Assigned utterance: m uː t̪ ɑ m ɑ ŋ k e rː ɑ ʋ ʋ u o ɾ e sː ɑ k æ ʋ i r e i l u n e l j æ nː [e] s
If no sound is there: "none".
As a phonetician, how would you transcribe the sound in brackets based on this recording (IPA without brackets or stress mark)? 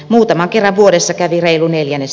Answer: e